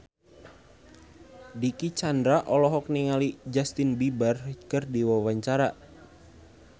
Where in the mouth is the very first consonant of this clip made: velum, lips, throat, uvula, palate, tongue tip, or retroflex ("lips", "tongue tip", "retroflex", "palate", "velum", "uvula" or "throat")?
tongue tip